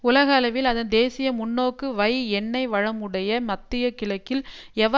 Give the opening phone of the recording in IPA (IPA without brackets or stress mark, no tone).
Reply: ʊ